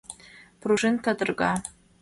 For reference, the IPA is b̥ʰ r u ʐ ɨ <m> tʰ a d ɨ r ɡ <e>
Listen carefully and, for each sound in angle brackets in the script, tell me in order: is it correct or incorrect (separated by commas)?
incorrect, incorrect